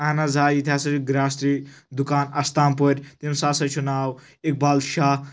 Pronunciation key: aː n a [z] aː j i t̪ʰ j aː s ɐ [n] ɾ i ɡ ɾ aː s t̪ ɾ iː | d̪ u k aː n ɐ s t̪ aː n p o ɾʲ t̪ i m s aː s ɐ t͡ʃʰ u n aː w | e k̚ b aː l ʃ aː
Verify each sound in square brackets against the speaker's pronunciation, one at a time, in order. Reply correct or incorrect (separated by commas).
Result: correct, incorrect